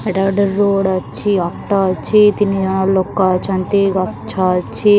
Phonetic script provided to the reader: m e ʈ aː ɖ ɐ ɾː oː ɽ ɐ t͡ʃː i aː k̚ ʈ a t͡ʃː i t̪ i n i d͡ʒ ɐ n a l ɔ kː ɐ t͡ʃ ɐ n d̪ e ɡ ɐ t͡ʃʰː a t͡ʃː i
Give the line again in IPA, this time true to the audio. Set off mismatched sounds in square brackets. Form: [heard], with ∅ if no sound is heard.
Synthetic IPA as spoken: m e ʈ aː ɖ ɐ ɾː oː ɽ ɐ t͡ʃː i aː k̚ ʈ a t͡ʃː i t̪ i n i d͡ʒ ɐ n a l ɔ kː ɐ t͡ʃ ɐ n [t̪] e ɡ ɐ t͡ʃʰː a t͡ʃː i